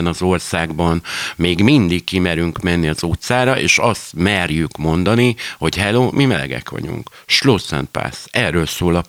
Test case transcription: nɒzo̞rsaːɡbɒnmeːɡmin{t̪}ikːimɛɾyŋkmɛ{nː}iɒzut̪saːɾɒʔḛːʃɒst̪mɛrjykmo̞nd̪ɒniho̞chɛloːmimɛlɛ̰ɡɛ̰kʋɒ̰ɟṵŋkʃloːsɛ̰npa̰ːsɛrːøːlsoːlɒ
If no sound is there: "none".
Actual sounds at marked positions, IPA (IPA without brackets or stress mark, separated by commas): d̪, nː